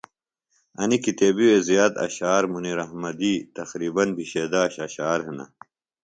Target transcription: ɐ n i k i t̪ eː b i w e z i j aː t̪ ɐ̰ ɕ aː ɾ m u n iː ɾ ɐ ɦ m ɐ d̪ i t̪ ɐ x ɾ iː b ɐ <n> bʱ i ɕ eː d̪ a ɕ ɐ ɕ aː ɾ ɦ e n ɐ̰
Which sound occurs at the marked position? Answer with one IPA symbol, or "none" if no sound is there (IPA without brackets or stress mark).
n